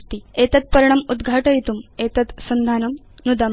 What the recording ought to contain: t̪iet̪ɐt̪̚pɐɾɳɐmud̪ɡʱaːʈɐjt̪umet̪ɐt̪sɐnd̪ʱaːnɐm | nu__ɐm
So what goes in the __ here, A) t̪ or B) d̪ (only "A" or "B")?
B